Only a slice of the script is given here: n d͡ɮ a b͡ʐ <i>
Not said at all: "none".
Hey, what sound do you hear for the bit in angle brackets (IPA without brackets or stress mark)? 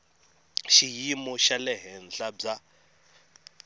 a